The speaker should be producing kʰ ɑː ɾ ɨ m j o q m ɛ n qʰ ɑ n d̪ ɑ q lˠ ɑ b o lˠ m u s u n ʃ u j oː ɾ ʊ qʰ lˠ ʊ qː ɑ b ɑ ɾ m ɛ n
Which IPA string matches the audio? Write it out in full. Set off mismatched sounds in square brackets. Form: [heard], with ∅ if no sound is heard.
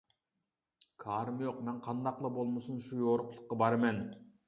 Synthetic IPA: kʰ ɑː ɾ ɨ m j o q m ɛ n qʰ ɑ n d̪ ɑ q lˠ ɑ b o lˠ m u s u n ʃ u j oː ɾ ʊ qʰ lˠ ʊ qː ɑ b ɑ ɾ m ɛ n